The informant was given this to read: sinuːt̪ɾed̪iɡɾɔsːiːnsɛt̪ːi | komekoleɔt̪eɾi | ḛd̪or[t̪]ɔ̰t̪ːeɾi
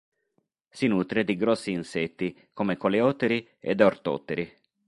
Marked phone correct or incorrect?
correct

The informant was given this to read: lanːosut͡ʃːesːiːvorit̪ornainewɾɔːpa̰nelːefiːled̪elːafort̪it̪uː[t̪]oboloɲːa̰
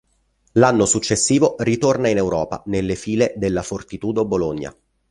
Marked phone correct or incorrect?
incorrect: d̪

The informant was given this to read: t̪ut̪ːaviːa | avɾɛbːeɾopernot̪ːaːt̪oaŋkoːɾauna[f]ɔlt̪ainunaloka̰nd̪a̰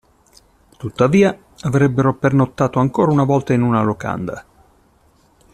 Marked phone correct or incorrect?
incorrect: v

